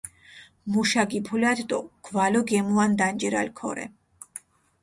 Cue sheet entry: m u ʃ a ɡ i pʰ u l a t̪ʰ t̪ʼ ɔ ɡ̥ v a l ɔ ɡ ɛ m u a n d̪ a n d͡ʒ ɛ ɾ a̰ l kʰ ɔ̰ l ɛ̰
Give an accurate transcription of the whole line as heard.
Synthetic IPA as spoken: m u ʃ a ɡ i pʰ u l a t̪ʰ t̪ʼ ɔ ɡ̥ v a l ɔ ɡ ɛ m u a n d̪ a n d͡ʒ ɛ ɾ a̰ l kʰ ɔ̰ ɾ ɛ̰